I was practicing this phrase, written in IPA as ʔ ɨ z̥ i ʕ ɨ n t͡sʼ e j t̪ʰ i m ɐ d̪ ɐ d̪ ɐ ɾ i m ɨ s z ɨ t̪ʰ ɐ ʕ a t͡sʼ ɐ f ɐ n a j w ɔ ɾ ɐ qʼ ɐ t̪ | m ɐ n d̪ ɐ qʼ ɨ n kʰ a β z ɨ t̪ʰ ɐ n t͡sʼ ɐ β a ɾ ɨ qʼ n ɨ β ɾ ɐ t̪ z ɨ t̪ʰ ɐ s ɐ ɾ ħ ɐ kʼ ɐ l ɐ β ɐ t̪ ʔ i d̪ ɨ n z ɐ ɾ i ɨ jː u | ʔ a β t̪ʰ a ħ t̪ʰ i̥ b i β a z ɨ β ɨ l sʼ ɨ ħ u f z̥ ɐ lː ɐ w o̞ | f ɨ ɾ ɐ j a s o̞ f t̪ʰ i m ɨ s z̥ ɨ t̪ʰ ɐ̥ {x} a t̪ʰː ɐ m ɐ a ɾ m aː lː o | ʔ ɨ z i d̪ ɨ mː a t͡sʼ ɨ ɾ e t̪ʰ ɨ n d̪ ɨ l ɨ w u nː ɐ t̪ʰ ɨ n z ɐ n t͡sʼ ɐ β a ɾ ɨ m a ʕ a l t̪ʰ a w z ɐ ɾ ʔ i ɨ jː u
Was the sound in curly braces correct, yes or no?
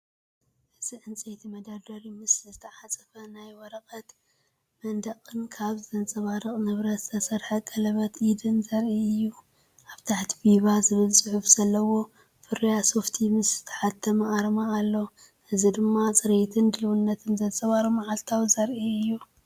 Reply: no